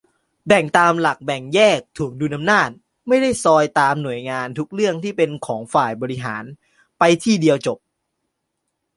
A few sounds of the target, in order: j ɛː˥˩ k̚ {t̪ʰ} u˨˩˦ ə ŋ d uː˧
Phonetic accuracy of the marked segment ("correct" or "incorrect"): correct